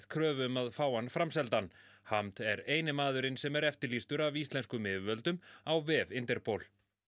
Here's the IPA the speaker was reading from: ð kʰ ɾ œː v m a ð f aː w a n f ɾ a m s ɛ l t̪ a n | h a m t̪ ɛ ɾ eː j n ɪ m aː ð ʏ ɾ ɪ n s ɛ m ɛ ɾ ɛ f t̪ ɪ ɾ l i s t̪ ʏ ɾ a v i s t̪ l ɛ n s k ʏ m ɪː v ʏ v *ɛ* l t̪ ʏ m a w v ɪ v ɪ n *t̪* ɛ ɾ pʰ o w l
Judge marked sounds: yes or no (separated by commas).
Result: no, yes